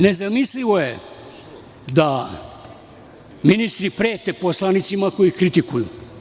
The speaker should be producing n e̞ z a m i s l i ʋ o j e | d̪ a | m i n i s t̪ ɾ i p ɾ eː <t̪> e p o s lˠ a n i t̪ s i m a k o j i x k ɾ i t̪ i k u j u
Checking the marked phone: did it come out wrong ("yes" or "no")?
no